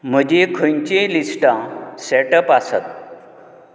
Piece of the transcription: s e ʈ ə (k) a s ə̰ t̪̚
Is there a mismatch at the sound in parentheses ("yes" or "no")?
yes